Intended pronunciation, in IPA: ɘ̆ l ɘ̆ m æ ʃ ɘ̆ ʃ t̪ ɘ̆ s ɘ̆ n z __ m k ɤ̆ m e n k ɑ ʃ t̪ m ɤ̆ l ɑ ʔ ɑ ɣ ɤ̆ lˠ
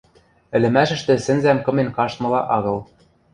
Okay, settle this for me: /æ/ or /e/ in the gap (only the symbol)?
æ